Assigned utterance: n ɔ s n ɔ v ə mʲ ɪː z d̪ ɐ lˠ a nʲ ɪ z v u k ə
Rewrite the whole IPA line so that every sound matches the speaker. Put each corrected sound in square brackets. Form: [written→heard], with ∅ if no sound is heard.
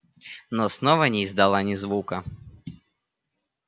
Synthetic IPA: n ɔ s n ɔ v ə [mʲ→nʲ] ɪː z d̪ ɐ lˠ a nʲ ɪ z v u k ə